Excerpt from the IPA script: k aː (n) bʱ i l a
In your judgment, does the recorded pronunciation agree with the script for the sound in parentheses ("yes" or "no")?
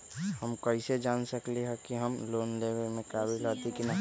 no